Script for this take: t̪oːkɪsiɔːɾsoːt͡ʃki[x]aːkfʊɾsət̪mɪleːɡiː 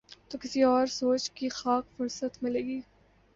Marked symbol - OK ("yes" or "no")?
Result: yes